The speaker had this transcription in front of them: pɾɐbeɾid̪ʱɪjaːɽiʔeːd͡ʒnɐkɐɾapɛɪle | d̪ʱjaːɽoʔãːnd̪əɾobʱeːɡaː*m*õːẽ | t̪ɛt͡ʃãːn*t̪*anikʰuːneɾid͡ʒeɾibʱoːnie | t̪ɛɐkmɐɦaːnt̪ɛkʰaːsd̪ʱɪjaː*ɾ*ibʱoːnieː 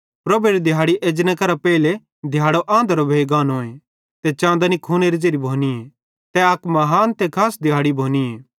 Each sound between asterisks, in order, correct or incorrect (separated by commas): incorrect, incorrect, incorrect